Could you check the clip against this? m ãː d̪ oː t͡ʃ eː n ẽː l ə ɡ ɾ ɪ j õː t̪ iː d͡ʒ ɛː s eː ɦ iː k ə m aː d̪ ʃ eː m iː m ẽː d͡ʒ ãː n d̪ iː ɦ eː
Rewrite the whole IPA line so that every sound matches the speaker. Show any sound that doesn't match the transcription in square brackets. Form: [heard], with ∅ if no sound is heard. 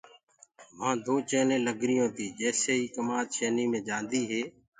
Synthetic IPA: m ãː d̪ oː t͡ʃ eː n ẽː l ə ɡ ɾ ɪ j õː t̪ iː d͡ʒ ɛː s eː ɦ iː k ə m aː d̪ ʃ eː [n] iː m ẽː d͡ʒ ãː n d̪ iː ɦ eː